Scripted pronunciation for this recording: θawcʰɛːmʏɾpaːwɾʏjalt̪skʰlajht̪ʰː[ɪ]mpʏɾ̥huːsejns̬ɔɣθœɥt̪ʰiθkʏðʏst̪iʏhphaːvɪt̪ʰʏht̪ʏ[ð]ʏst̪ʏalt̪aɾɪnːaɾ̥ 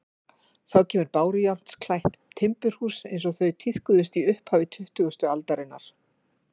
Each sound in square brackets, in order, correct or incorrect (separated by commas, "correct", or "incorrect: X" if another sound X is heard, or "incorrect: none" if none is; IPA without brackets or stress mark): correct, incorrect: ɣ